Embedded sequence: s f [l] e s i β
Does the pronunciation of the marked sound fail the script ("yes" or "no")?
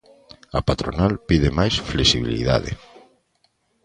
no